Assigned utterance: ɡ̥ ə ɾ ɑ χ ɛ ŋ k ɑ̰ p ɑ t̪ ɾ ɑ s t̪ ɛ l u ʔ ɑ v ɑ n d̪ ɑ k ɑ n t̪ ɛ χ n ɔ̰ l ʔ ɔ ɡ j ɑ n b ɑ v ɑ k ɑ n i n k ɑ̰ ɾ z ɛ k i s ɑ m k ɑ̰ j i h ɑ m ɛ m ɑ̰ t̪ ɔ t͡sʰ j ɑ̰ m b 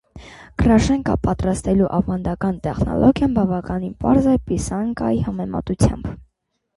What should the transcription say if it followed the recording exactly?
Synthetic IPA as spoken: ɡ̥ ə ɾ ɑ ʃ ɛ ŋ k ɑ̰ p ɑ t̪ ɾ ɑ s t̪ ɛ l u ʔ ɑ v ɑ n d̪ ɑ k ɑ n t̪ ɛ χ n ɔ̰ l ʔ ɔ ɡ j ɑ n b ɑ v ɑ k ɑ n i n p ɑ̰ ɾ z ɛ p i s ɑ ŋ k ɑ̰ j i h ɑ m ɛ m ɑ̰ t̪ u t͡sʰ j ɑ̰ m b

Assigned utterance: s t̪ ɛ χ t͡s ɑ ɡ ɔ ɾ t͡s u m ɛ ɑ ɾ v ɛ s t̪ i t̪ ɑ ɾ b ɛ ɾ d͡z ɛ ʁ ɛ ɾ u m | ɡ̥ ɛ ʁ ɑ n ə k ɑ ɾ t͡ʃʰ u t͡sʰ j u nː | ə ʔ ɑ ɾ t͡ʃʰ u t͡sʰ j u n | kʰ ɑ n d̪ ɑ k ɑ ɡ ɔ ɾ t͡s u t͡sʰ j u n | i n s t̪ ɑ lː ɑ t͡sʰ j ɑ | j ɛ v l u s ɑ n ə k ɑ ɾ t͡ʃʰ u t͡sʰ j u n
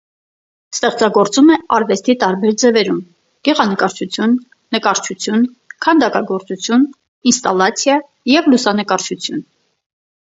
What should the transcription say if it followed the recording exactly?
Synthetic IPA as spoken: s t̪ ɛ χ t͡s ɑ ɡ ɔ ɾ t͡s u m ɛ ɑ ɾ v ɛ s t̪ i t̪ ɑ ɾ b ɛ ɾ d͡z ɛ v ɛ ɾ u m | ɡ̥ ɛ ʁ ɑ n ə k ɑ ɾ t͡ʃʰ u t͡sʰ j u nː | ə k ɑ ɾ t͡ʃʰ u t͡sʰ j u n | kʰ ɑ n d̪ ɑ k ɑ ɡ ɔ ɾ t͡s u t͡sʰ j u n | i n s t̪ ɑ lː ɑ t͡sʰ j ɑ | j ɛ v l u s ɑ n ə k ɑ ɾ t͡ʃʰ u t͡sʰ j u n

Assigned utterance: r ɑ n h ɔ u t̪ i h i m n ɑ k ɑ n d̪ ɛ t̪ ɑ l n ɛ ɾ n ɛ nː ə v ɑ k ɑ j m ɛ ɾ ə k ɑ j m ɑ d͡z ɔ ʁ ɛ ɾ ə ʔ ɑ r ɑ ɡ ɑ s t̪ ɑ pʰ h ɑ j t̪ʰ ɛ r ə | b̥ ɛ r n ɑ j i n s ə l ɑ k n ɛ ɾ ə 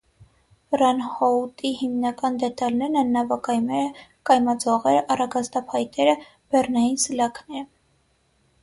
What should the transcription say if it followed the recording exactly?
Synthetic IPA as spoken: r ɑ n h ɔ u t̪ i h i m n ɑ k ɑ n d̪ ɛ t̪ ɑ l n ɛ ɾ n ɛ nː ɑ v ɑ k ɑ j m ɛ ɾ ə k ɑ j m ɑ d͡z ɔ ʁ ɛ ɾ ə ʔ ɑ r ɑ ɡ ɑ s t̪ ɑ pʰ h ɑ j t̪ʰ ɛ ɾ ə | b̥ ɛ r n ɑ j i n s ə l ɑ k n ɛ ɾ ə

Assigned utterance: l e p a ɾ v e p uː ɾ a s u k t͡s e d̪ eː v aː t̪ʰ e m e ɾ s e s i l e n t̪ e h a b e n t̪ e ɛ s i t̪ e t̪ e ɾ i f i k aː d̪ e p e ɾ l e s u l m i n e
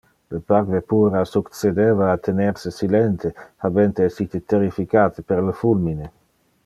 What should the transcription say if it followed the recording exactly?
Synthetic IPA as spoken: l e p a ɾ v e p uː ɾ a s u k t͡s e d̪ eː v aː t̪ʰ e n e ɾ s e s i l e n t̪ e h a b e n t̪ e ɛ s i t̪ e t̪ e ɾ i f i k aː t̪ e p e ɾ l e f u l m i n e

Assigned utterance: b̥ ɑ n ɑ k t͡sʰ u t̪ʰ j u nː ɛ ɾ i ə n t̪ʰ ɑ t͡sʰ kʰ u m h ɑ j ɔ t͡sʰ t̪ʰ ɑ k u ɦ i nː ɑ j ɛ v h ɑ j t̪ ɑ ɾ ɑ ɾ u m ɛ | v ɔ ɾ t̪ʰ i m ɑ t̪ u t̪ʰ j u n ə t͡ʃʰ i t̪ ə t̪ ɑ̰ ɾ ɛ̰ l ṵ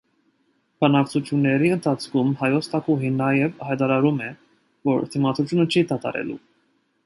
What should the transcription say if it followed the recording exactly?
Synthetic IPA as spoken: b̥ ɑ n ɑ k t͡sʰ u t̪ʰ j u nː ɛ ɾ i ə n t̪ʰ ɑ t͡sʰ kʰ u m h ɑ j ɔ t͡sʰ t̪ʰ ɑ k u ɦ i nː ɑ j ɛ v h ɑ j t̪ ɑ ɾ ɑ ɾ u m ɛ | v ɔ ɾ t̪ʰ i m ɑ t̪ u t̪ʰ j u n ə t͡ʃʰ i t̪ ɑ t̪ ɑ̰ ɾ ɛ̰ l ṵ

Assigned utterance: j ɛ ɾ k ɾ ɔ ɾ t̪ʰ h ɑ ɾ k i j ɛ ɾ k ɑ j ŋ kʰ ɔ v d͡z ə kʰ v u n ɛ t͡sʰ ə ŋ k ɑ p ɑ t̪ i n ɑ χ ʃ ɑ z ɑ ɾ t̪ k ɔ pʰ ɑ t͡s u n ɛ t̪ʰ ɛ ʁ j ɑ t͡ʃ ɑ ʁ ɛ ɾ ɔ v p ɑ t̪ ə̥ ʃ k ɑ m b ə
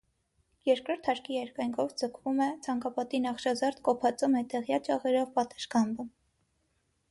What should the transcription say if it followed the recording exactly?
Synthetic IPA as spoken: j ɛ ɾ k ɾ ɔ ɾ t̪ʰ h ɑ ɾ k i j ɛ ɾ k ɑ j ŋ kʰ ɔ v d͡z ə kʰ v u m ɛ t͡sʰ ɑ ŋ k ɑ p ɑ t̪ i n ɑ χ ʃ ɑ z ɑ ɾ t̪ k ɔ pʰ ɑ t͡s u m ɛ t̪ ɛ ʁ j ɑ t͡ʃ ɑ ʁ ɛ ɾ ɔ v p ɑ t̪ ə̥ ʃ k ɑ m b ə

